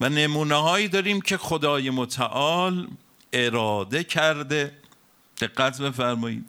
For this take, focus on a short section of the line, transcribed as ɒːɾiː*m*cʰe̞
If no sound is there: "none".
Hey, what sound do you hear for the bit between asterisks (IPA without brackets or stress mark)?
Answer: m